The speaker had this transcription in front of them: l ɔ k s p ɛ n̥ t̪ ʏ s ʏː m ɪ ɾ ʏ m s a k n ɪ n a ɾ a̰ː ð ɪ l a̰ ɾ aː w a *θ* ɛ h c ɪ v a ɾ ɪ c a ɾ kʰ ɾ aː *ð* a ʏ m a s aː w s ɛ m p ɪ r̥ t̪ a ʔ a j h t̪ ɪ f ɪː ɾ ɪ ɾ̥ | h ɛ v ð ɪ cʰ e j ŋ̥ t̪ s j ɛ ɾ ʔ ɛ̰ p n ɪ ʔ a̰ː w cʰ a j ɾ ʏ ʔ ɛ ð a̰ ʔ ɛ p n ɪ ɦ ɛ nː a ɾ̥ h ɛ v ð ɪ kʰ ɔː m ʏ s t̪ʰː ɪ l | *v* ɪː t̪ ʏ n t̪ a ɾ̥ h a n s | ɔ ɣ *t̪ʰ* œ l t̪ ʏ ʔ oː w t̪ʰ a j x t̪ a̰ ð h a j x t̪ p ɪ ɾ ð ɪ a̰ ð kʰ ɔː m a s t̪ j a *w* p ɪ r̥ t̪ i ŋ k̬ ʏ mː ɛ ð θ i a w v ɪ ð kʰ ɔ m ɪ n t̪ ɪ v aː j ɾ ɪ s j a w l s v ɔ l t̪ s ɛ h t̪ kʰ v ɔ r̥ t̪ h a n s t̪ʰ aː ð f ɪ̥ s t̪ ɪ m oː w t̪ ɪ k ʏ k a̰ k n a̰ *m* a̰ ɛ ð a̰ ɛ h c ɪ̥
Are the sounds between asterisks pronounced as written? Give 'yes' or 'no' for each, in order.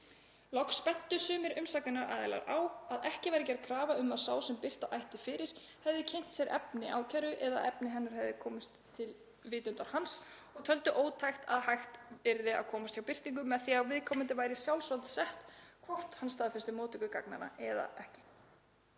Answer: no, no, yes, yes, yes, no

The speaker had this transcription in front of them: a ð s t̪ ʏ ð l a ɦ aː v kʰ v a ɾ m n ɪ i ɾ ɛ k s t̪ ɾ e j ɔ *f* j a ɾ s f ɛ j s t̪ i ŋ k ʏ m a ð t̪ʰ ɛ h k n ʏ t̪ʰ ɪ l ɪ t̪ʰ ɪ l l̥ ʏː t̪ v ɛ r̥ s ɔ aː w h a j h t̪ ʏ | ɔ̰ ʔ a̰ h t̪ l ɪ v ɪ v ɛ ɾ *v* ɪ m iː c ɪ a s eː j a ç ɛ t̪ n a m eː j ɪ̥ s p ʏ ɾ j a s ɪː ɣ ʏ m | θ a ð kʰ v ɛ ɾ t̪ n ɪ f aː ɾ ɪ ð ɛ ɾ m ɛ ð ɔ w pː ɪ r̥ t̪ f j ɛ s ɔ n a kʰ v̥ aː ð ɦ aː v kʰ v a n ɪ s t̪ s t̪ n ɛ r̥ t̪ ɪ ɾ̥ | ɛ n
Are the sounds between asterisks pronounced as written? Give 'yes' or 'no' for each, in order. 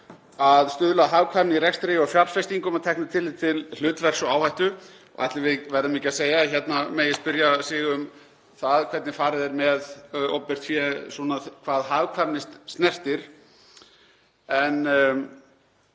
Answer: yes, no

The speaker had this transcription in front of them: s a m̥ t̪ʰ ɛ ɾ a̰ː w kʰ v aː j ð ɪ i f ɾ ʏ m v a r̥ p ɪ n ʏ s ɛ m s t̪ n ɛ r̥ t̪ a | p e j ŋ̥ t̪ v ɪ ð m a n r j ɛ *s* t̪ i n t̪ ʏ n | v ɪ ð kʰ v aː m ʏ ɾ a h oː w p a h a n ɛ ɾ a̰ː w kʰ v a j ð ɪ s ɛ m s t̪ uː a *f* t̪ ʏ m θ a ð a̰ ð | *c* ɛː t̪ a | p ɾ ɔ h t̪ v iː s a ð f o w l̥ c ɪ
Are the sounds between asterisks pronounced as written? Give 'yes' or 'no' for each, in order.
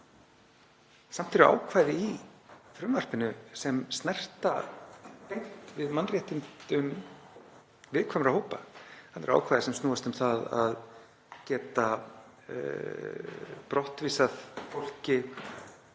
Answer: no, no, yes

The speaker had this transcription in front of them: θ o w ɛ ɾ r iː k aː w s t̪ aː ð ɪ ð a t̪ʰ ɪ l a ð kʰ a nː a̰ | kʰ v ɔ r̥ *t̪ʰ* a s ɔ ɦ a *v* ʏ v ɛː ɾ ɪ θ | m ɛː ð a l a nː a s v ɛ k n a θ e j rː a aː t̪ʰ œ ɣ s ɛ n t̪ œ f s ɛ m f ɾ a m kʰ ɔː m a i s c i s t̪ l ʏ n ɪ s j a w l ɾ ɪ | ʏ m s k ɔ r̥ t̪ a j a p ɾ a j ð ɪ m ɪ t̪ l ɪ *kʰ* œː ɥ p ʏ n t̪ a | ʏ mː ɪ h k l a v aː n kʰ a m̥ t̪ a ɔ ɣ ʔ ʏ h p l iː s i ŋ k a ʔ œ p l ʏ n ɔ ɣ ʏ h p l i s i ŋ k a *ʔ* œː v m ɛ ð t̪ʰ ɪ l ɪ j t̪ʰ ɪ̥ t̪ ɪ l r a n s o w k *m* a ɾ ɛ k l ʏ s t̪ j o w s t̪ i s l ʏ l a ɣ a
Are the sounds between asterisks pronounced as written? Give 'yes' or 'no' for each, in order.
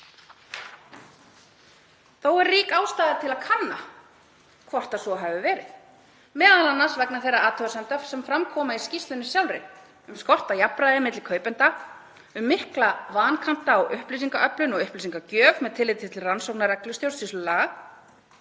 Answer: no, yes, yes, no, no

